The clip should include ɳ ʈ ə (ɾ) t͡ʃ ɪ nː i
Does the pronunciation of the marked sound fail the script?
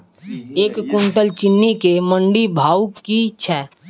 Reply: yes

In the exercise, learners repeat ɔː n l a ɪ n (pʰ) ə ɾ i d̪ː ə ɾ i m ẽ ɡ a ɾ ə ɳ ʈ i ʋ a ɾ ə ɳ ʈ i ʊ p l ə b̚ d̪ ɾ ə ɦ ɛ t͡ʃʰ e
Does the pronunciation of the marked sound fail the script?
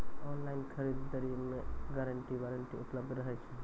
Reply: yes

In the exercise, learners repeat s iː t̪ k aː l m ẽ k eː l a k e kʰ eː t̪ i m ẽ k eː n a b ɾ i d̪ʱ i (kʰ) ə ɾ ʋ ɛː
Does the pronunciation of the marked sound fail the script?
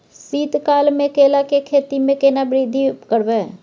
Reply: yes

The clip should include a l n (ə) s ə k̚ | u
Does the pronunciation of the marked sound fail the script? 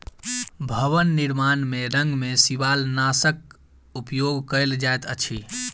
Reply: yes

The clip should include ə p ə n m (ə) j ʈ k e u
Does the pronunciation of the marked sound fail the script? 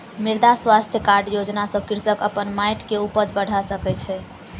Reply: yes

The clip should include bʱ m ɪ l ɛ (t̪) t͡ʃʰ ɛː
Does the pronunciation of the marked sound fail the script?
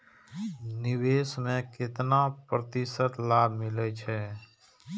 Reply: yes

